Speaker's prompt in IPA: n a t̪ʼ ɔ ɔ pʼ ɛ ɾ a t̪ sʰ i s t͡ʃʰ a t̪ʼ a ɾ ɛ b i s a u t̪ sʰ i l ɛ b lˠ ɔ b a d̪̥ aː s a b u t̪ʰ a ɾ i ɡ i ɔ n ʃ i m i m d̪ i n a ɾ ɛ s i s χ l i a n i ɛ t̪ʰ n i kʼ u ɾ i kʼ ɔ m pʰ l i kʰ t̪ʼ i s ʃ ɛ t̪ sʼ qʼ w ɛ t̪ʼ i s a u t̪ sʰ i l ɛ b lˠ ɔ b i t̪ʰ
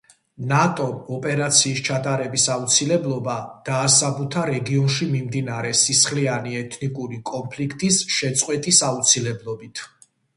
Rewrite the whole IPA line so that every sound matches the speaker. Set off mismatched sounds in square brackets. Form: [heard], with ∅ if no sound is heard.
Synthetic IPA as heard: n a t̪ʼ ɔ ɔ pʼ ɛ ɾ a t̪ sʰ [iː] s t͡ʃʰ a t̪ʼ a ɾ ɛ b i s a u t̪ sʰ i l ɛ b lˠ ɔ b a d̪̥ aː s a b u t̪ʰ a ɾ [ɛ] ɡ i ɔ n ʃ i m i m d̪ i n a ɾ ɛ s i s χ l i a n i ɛ t̪ʰ n i kʼ u ɾ i kʼ ɔ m pʰ l i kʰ t̪ʼ i s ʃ ɛ t̪ sʼ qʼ w ɛ t̪ʼ i s a u t̪ sʰ i l ɛ b lˠ ɔ b i t̪ʰ